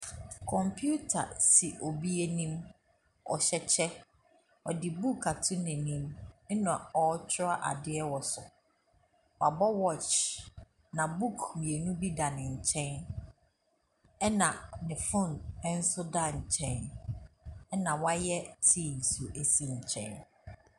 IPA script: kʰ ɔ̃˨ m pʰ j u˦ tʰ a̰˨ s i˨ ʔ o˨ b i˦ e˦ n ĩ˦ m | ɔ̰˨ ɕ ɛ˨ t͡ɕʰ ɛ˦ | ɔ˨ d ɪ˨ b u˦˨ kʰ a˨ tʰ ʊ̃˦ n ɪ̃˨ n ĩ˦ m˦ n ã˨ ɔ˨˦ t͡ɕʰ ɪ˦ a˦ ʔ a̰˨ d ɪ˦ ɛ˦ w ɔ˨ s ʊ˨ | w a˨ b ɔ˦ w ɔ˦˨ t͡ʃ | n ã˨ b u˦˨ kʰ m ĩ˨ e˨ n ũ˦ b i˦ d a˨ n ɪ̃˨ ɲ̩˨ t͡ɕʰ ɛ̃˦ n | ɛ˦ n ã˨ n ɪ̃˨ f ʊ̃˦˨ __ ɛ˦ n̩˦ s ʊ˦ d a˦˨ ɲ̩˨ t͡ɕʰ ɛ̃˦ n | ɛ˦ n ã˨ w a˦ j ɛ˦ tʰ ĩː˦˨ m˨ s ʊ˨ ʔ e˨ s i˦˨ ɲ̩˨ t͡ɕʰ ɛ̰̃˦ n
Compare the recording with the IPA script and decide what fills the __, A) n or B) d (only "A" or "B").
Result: A